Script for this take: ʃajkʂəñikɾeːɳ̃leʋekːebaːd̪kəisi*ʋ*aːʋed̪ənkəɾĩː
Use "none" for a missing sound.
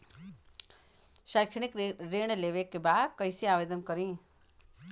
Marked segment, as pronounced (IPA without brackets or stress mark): none